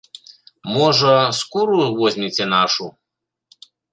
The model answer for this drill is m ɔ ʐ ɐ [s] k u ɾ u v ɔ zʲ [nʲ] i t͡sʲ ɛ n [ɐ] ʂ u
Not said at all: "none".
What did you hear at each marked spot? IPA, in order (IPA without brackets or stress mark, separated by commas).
s, mʲ, a